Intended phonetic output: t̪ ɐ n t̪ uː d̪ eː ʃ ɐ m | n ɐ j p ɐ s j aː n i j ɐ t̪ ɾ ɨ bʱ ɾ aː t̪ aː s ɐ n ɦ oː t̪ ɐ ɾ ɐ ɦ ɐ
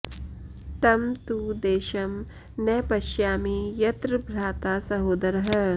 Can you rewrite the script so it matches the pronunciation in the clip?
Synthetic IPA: t̪ ɐ m t̪ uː d̪ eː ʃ ɐ m | n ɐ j p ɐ ʃ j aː m i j ɐ t̪ ɾ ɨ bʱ ɾ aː t̪ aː s ɐ ɦ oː d̪ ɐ ɾ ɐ ɦ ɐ